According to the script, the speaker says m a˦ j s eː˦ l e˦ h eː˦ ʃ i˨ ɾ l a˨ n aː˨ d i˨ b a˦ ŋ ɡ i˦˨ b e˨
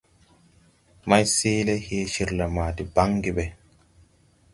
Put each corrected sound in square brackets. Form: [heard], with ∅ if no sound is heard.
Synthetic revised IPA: m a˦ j s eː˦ l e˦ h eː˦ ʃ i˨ ɾ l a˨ [m] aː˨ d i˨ b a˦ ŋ ɡ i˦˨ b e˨